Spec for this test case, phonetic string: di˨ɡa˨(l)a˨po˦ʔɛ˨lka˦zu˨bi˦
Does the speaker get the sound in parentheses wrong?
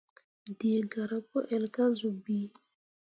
yes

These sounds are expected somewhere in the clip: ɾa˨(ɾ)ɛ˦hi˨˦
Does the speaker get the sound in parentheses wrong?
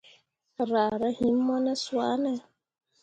no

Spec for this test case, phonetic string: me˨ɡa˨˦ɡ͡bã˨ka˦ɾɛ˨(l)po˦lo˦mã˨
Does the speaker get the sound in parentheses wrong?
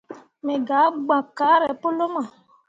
yes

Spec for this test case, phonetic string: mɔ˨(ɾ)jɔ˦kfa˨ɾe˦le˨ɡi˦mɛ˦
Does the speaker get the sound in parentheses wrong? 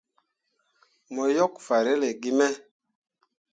yes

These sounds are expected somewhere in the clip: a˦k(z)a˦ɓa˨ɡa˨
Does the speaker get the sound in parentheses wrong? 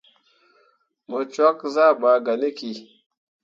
no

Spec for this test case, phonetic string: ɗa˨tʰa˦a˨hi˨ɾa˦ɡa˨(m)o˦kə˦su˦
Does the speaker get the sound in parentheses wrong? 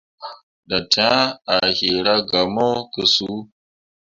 no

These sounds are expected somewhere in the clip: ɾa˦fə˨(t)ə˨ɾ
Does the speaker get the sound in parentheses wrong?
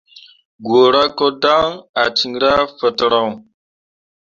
no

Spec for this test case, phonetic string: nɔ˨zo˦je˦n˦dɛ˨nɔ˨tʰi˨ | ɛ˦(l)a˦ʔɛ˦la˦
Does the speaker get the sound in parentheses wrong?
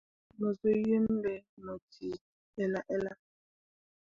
no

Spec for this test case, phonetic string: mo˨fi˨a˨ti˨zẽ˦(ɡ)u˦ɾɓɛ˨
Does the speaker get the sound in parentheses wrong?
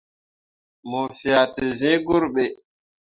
no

